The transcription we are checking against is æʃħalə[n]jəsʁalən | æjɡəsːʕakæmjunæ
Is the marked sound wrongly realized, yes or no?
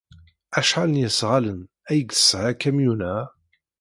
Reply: no